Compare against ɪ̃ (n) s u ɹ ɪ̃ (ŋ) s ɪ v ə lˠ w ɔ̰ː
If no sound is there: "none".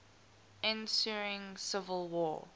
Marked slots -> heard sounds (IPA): n, ŋ

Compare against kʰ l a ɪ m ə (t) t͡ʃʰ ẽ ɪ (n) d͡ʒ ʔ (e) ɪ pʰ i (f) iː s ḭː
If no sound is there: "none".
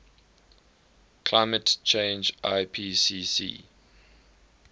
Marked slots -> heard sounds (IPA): t, n, a, s

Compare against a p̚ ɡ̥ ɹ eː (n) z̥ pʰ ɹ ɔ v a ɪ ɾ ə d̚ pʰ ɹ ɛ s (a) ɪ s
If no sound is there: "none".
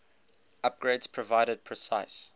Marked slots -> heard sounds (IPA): d, a

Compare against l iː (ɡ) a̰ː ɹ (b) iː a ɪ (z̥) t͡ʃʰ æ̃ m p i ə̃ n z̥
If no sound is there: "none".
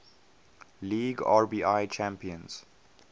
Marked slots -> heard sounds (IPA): ɡ, b, none

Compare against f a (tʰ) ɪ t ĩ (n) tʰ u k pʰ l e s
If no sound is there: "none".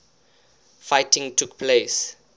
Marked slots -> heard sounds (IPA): none, ŋ

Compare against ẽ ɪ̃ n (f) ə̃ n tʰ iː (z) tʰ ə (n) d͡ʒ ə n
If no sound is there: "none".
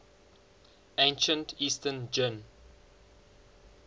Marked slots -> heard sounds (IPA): ʃ, s, n

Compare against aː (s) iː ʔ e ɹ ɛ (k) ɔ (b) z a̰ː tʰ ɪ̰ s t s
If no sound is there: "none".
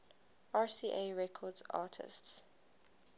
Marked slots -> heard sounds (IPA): s, kʰ, d

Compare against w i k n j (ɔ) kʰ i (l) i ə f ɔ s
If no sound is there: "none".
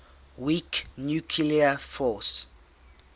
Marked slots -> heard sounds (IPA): u, l

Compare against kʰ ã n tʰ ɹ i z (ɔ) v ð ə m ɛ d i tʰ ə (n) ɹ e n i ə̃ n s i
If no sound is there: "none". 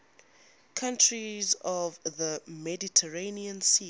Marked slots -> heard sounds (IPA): ɔ, none

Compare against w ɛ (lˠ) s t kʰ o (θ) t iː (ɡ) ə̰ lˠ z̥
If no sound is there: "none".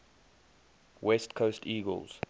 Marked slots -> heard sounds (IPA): none, s, ɡ

